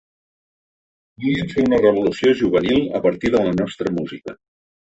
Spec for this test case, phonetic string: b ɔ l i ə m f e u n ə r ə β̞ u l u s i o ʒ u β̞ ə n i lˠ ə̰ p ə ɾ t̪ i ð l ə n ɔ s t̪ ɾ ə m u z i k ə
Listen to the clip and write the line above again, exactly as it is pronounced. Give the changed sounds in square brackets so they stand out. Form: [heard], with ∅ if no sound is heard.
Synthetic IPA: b [u] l i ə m f e u n ə r ə β̞ u l u s i o ʒ u β̞ ə n i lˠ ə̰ p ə ɾ t̪ i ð l ə n ɔ s t̪ ɾ ə m u z i k ə